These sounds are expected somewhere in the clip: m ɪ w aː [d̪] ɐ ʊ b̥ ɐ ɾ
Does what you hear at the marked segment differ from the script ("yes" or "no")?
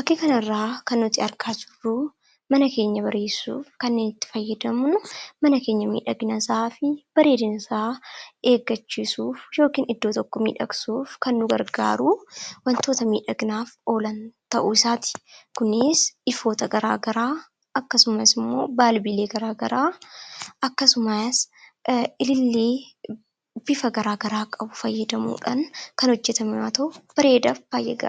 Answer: yes